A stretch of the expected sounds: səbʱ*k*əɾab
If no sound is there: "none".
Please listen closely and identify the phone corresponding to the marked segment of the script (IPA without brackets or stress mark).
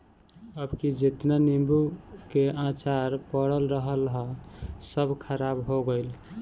kʰ